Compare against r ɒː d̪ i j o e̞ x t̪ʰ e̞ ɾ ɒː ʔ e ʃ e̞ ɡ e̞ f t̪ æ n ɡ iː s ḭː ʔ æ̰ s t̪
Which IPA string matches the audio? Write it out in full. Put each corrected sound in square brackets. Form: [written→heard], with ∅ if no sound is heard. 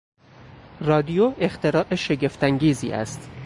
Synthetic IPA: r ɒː d̪ i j o e̞ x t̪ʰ e̞ ɾ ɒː ʔ e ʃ e̞ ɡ e̞ f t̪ æ [n→ŋ] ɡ iː [s→z] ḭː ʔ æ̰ s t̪